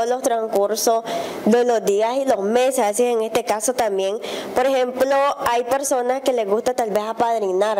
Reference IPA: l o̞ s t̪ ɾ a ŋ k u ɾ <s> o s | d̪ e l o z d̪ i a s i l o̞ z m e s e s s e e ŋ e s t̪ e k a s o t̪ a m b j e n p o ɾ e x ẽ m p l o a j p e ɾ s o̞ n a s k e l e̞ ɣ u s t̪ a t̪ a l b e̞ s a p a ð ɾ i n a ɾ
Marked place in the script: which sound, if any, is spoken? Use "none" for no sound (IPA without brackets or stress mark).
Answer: s